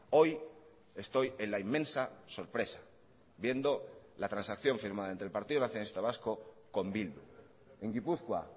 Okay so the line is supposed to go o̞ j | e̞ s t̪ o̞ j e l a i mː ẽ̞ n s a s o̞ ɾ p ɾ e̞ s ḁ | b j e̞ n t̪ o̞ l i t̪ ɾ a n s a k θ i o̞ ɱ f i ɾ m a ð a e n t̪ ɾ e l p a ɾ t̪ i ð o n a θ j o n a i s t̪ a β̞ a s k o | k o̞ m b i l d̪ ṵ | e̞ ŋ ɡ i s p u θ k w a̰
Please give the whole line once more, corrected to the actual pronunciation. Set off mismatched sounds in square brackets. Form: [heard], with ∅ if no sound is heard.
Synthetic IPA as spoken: o̞ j | e̞ s t̪ o̞ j e l a i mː ẽ̞ n s a s o̞ ɾ p ɾ e̞ s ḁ | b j e̞ n [d̪] o̞ l [a] t̪ ɾ a n s a k θ [j] o̞ ɱ f i ɾ m a ð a e n t̪ ɾ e l p a ɾ t̪ i ð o n a θ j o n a i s t̪ a β̞ a s k o | k o̞ m b i l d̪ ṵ | e̞ ŋ ɡ i [∅] p u θ k w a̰